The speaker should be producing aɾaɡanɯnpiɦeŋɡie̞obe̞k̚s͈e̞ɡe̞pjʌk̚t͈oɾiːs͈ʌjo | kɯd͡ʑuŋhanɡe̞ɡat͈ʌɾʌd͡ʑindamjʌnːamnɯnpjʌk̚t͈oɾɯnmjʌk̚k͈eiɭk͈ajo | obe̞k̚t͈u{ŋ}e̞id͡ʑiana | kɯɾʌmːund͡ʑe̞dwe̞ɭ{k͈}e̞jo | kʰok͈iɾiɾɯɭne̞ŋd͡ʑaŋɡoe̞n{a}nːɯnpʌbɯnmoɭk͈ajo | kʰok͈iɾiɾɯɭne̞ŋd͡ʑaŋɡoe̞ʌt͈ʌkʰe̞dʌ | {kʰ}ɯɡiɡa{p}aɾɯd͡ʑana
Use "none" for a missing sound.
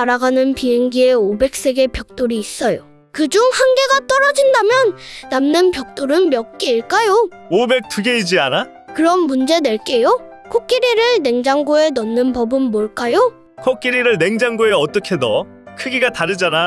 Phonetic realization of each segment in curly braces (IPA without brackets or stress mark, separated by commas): ɡ, k͈, ʌ, kʰ, t